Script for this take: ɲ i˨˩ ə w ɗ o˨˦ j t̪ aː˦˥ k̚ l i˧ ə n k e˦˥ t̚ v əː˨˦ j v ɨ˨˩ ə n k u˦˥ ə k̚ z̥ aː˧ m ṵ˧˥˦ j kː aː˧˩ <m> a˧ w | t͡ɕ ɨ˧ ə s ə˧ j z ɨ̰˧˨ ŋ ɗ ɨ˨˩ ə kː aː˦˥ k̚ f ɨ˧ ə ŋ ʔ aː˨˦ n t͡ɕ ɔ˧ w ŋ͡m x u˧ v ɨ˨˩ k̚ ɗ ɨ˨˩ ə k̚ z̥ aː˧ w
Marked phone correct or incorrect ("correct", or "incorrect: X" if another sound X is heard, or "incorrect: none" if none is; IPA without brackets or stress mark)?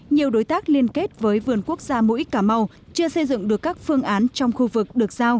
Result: correct